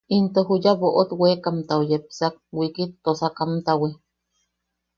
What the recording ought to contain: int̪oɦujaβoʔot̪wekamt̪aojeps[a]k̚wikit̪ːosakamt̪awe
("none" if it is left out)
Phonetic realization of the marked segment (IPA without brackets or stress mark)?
a